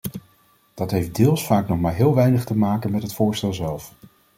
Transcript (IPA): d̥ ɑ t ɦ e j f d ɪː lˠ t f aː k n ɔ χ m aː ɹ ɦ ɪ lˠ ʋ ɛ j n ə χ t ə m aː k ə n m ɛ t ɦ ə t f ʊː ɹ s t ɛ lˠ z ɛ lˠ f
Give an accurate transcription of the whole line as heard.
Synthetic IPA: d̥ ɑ t ɦ e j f d ɪː lˠ s f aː k n ɔ χ m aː ɹ ɦ ɪː lˠ ʋ ɛ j n ə χ t ə m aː k ə n m ɛ t ɦ ə t f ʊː ɹ s t ɛ lˠ z ɛ lˠ f